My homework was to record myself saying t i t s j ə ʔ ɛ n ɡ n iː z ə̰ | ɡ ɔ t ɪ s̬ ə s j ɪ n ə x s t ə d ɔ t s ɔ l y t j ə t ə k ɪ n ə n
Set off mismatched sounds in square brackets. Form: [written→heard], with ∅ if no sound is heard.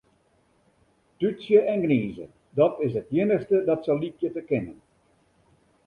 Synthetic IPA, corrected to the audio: t [i→y] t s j ə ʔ ɛ n ɡ n iː z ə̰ | [ɡ→d] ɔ t ɪ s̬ ə [s→t] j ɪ n ə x s t ə d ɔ t s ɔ l [y→i] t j ə t ə k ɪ n ə n